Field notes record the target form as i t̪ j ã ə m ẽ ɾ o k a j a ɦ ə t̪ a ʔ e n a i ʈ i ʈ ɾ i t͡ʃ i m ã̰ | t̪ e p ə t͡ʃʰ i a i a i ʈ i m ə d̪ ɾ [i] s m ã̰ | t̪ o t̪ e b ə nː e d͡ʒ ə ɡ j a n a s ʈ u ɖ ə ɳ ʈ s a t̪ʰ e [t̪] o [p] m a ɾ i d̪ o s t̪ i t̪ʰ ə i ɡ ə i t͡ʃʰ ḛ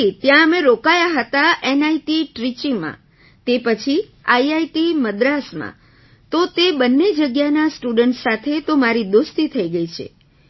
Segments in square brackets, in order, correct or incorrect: incorrect, correct, incorrect

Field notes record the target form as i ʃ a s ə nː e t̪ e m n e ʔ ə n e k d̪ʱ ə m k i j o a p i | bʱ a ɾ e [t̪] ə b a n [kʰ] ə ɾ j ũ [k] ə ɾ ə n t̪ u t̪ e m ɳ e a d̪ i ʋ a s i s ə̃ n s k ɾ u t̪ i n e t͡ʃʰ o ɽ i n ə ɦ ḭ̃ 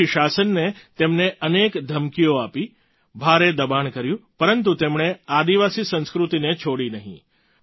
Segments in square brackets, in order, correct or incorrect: incorrect, incorrect, incorrect

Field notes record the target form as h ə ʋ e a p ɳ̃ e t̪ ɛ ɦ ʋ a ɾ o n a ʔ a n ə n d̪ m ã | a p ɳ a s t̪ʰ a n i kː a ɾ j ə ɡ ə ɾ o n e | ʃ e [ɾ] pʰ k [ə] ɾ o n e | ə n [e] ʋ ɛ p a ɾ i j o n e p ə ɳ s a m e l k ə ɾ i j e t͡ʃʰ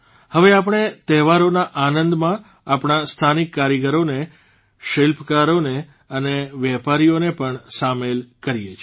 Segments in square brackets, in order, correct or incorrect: incorrect, incorrect, correct

